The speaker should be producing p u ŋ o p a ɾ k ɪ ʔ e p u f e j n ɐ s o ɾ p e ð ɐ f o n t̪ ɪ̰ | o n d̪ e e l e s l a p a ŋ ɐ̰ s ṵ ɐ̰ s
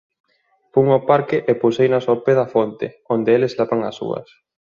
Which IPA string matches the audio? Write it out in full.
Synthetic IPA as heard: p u ŋ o p a ɾ k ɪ ʔ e p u s e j n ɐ s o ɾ p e ð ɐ f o n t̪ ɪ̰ | o n d̪ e e l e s l a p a ŋ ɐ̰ s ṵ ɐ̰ s